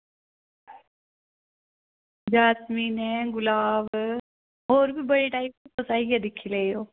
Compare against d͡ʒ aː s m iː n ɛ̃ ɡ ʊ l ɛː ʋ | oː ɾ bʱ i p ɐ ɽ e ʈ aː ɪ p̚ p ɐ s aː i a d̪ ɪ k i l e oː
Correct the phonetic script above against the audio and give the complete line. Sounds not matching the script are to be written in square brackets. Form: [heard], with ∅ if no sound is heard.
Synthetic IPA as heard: d͡ʒ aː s m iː n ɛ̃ ɡ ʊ l [aː] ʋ | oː ɾ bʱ i [b] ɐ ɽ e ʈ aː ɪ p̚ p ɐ s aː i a d̪ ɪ [kʰ] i l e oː

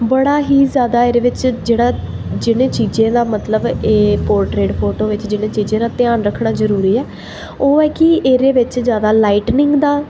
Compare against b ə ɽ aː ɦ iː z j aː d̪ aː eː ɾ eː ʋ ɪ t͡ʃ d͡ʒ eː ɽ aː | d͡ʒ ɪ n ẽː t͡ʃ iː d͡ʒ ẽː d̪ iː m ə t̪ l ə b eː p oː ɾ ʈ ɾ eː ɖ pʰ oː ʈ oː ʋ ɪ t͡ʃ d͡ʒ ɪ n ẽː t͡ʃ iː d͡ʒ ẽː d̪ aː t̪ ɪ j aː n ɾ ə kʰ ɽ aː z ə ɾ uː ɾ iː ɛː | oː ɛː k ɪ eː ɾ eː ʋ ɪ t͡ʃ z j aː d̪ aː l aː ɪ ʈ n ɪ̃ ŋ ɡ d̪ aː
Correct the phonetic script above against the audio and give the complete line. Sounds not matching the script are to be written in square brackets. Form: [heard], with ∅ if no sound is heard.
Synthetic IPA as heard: b ə ɽ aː ɦ iː z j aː d̪ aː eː ɾ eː ʋ ɪ t͡ʃ d͡ʒ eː ɽ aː | d͡ʒ ɪ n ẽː t͡ʃ iː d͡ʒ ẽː d̪ [aː] m ə t̪ l ə b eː p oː ɾ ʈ ɾ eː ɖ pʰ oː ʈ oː ʋ ɪ t͡ʃ d͡ʒ ɪ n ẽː t͡ʃ iː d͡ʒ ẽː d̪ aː t̪ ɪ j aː n ɾ ə kʰ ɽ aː z ə ɾ uː ɾ iː ɛː | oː ɛː k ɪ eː ɾ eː ʋ ɪ t͡ʃ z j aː d̪ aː l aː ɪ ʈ n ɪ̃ ŋ ɡ d̪ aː

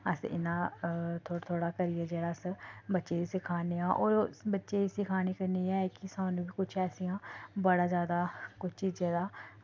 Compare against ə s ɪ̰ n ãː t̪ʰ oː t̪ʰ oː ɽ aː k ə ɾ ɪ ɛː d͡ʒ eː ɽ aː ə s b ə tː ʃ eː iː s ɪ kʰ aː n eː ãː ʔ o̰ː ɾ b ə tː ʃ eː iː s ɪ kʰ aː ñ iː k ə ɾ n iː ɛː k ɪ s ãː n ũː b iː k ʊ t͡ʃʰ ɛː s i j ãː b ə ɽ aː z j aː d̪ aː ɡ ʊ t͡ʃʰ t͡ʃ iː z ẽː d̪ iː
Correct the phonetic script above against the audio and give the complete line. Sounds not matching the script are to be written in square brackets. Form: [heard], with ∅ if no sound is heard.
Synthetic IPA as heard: ə s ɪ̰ n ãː t̪ʰ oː t̪ʰ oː ɽ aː k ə ɾ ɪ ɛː d͡ʒ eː ɽ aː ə s b ə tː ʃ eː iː s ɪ kʰ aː n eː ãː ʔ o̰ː ɾ b ə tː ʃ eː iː s ɪ kʰ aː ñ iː k ə ɾ n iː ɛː k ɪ s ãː n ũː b iː k ʊ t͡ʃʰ ɛː s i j ãː b ə ɽ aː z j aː d̪ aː [k] ʊ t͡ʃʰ t͡ʃ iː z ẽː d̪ [aː]

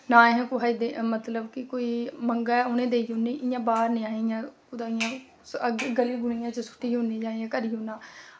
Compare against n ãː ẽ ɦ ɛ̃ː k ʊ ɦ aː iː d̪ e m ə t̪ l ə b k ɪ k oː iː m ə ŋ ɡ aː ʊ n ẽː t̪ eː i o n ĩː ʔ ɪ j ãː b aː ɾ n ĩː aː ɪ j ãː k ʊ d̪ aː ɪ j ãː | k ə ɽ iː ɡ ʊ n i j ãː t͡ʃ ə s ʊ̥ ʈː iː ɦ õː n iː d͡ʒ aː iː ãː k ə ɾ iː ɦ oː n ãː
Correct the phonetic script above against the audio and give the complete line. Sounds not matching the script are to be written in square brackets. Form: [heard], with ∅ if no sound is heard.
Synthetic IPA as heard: n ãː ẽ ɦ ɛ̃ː k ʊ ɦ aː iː d̪ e m ə t̪ l ə b k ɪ k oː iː m ə ŋ ɡ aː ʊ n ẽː [d̪] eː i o n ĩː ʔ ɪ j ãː b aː ɾ n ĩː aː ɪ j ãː k ʊ d̪ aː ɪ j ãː | [ɡ] ə [l] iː ɡ ʊ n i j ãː t͡ʃ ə s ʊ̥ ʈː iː ɦ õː n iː d͡ʒ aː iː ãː k ə ɾ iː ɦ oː n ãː

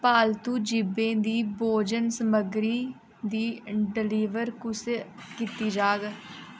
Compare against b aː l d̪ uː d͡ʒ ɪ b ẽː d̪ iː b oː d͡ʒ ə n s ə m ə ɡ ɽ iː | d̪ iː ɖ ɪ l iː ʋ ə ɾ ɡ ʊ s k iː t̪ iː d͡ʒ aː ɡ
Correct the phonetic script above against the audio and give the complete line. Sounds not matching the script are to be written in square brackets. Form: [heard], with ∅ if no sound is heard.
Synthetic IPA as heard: [p] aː l [t̪] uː d͡ʒ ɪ b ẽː d̪ iː b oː d͡ʒ ə n s ə m ə ɡ [ɾ] iː | d̪ iː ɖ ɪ l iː ʋ ə ɾ [k] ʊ s k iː t̪ iː d͡ʒ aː ɡ

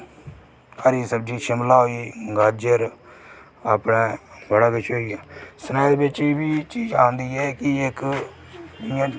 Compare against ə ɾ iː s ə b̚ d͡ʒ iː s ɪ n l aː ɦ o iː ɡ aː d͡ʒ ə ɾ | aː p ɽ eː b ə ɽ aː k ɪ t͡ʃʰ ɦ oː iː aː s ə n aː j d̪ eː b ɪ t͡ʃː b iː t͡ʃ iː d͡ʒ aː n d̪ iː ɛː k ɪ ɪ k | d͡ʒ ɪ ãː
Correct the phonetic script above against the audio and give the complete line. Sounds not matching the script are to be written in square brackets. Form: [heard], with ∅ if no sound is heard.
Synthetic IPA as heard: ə ɾ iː s ə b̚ d͡ʒ iː [ʃ] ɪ [m] l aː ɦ o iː ɡ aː d͡ʒ ə ɾ | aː p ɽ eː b ə ɽ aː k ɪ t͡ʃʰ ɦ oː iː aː s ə n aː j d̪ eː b ɪ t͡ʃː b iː t͡ʃ iː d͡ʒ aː n d̪ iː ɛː k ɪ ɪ k | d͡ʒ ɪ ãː

